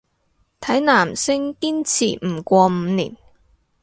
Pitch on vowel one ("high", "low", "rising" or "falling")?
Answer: rising